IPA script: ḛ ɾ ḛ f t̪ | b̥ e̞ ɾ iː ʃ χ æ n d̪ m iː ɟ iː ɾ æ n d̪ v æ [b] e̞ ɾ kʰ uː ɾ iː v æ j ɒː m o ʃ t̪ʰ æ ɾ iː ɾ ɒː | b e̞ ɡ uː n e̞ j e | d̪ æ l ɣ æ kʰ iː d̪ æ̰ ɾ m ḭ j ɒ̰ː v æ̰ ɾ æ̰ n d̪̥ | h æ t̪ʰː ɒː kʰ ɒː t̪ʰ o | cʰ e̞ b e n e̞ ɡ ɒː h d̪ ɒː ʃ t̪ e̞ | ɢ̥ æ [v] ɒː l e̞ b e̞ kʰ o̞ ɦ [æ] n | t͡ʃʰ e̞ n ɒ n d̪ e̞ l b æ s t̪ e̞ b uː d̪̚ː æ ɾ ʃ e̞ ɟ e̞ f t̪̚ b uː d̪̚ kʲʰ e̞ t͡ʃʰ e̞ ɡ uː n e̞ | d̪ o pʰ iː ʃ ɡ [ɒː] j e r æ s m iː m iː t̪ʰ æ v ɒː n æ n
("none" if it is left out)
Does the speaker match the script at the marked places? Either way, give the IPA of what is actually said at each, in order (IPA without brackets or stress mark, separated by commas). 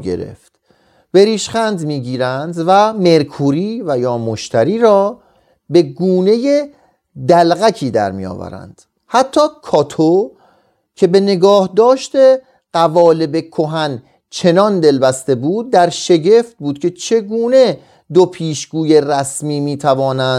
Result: m, v, æ, uː